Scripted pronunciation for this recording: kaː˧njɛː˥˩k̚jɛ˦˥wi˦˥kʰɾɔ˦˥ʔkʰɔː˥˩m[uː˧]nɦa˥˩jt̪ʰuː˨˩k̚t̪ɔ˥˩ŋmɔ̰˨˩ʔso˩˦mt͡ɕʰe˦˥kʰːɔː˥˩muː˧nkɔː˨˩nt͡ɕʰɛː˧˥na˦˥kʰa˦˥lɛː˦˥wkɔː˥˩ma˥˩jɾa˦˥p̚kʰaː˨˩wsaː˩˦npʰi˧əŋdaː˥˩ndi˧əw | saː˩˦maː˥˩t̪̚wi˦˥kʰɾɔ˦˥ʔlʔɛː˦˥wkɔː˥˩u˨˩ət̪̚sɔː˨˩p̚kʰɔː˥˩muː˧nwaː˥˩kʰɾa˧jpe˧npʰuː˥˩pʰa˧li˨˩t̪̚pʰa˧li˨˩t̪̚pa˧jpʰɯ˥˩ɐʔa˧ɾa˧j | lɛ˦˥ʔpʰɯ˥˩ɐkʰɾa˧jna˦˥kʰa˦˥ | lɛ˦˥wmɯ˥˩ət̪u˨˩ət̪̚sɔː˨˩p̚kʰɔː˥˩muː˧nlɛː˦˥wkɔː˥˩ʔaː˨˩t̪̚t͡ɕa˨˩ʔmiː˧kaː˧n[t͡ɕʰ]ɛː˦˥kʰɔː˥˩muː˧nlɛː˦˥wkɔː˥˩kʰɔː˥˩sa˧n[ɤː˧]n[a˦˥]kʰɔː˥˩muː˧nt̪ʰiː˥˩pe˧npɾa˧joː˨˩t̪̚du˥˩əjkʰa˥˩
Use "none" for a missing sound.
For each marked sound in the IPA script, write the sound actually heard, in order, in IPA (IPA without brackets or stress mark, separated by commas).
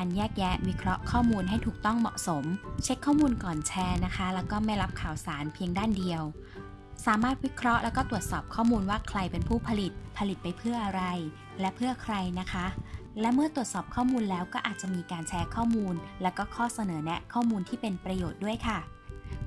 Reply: uː˧, t͡ɕʰ, ɤː˩˦, ɛ˦˥